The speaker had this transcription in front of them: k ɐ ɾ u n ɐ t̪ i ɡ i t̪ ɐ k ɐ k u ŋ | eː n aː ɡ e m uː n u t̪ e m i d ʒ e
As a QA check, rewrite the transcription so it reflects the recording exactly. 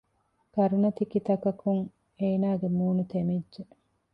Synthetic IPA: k ɐ ɾ u n ɐ t̪ i k i t̪ ɐ k ɐ k u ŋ | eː n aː ɡ e m uː n u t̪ e m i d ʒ e